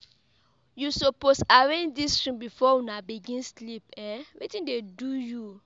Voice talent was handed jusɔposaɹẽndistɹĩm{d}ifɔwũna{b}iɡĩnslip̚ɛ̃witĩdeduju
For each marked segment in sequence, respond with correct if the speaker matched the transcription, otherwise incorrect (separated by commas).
incorrect, correct